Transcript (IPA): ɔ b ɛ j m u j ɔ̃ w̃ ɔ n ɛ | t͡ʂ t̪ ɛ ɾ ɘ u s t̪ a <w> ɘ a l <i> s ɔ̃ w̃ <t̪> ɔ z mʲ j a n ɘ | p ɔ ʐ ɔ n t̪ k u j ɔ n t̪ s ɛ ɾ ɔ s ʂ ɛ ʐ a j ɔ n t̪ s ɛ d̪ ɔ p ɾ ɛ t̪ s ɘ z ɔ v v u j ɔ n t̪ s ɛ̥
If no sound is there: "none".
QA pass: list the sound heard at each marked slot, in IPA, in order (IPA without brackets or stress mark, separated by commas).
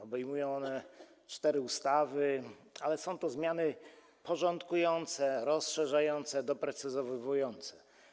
v, ɛ, t̪